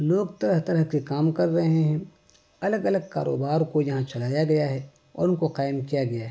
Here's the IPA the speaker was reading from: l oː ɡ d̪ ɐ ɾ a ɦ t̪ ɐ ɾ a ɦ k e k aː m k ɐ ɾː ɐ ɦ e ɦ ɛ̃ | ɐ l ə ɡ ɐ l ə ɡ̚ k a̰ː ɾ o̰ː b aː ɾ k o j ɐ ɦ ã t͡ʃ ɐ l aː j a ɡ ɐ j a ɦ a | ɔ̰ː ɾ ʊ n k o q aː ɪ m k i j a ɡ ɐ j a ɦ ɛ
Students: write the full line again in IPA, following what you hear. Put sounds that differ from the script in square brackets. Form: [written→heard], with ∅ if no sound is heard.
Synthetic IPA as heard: l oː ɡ [d̪→t̪] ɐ ɾ [a→ə] ɦ t̪ ɐ ɾ [a→ə] ɦ k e k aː m k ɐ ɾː ɐ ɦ e ɦ ɛ̃ | ɐ l ə ɡ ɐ l ə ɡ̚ k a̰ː ɾ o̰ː b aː ɾ k o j ɐ ɦ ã t͡ʃ ɐ l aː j a ɡ ɐ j a ɦ [a→ɛ] | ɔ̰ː ɾ ʊ n k o q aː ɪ m k i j a ɡ ɐ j a ɦ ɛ